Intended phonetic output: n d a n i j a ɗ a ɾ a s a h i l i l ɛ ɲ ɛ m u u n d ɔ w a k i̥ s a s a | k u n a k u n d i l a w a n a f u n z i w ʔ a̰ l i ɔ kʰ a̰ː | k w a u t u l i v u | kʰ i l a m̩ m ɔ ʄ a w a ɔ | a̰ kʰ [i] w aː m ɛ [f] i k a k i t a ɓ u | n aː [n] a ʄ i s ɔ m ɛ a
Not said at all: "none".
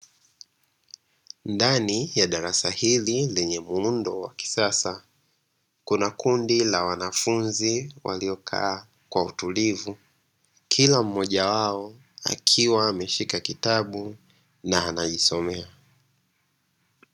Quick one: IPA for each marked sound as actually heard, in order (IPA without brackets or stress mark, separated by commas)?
i, ʃ, n